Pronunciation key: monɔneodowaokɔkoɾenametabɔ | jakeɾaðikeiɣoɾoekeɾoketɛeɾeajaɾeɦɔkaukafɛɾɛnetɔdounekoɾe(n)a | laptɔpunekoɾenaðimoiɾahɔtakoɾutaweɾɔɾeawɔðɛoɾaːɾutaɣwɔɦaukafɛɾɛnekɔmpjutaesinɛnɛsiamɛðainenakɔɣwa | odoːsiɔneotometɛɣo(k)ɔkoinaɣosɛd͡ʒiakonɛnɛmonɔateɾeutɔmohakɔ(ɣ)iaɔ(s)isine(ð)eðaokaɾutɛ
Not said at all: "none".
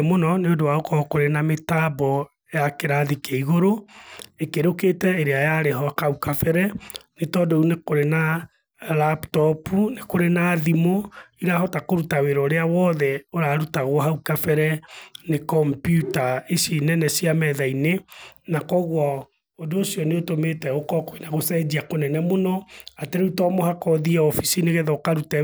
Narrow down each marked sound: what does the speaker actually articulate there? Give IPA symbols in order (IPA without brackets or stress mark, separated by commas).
n, k, ð, f, ɣ